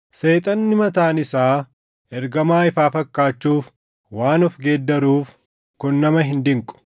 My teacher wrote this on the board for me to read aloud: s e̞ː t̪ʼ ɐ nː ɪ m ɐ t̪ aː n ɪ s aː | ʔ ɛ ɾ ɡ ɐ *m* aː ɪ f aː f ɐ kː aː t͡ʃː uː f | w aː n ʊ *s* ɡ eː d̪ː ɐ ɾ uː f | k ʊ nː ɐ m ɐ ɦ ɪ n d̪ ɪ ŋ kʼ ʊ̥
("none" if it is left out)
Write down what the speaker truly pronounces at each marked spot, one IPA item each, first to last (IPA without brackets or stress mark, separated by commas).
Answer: m, f